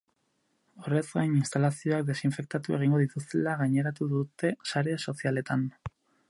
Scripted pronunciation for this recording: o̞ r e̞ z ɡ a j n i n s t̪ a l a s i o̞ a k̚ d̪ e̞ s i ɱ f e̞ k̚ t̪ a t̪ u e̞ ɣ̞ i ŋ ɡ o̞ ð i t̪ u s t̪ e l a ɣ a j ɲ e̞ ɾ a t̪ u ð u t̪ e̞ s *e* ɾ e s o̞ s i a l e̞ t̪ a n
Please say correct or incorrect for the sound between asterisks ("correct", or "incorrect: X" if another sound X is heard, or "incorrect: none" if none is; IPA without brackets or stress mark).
incorrect: a